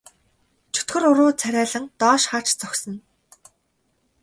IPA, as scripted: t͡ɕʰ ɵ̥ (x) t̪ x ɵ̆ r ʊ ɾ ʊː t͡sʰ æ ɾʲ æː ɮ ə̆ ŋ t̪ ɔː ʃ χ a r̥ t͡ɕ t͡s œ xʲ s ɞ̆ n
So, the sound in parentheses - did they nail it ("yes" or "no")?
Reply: no